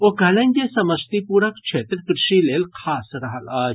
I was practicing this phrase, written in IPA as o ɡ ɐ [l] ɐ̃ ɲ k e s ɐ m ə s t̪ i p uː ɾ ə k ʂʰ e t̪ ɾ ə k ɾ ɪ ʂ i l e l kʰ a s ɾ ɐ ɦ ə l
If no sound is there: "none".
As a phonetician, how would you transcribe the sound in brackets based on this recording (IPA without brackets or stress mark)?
l